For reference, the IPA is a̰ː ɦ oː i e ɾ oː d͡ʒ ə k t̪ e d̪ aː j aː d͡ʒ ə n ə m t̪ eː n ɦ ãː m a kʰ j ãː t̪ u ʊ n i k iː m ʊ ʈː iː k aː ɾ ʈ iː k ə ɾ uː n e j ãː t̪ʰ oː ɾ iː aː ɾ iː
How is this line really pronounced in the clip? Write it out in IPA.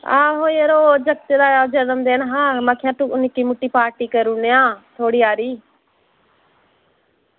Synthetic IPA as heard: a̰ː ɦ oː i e ɾ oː d͡ʒ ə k t̪ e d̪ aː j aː d͡ʒ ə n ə m d̪ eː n ɦ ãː m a kʰ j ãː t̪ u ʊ n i k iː m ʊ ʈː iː p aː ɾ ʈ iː k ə ɾ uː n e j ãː t̪ʰ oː ɽ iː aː ɾ iː